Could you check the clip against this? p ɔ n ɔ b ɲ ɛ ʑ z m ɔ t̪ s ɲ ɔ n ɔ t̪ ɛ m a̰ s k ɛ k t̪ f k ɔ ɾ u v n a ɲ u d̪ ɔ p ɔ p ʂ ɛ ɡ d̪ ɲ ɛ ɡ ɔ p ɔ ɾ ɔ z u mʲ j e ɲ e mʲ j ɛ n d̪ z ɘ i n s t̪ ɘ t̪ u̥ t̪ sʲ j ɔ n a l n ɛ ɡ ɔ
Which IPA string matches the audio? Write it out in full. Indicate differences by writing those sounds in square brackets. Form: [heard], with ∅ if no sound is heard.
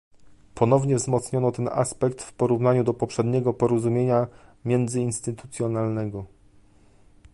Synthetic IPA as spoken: p ɔ n ɔ [v] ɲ ɛ [v] z m ɔ t̪ s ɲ ɔ n ɔ t̪ ɛ [n] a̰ s [p] ɛ k t̪ f [p] ɔ ɾ u v n a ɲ u d̪ ɔ p ɔ p ʂ ɛ [∅] d̪ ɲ ɛ ɡ ɔ p ɔ ɾ ɔ z u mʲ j e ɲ [a] mʲ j ɛ n d̪ z ɘ i n s t̪ ɘ t̪ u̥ t̪ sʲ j ɔ n a l n ɛ ɡ ɔ